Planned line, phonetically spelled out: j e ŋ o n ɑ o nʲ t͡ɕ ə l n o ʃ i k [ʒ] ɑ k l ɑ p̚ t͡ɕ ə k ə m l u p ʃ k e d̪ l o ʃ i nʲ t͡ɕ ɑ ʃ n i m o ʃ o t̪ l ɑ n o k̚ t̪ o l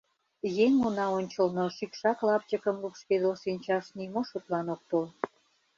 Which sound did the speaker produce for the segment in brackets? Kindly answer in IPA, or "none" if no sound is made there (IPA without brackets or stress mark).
ʃ